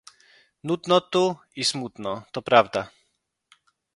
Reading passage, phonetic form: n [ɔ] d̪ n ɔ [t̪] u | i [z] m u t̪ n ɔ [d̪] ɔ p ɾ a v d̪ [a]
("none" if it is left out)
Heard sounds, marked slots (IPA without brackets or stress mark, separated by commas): u, t̪, s, t̪, a